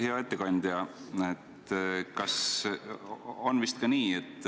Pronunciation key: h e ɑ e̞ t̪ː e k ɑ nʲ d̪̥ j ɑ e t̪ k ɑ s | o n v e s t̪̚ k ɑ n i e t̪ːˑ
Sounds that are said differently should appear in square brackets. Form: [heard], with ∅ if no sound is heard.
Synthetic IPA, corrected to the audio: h e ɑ e̞ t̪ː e k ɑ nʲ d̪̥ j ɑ e t̪ k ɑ s | o n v [i] s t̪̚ k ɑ n [iː] e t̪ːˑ